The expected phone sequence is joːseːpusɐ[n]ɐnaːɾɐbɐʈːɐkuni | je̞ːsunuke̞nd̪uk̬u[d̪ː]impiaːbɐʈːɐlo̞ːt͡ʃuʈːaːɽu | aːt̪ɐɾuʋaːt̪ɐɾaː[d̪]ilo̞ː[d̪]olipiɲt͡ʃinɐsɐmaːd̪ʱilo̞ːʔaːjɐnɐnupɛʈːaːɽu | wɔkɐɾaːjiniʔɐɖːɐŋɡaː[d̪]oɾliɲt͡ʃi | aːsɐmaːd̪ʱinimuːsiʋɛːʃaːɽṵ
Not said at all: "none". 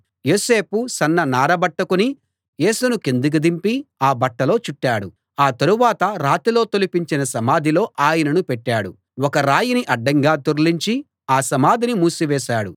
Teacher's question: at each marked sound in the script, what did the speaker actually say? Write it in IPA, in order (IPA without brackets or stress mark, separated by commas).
nː, d̪, t̪, t̪, t̪